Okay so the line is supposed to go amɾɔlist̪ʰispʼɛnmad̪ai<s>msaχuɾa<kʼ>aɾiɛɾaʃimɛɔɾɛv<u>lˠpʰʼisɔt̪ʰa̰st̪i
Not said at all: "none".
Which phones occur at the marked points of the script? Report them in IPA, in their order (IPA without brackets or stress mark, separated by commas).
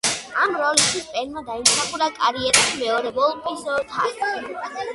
none, kʼ, ɔ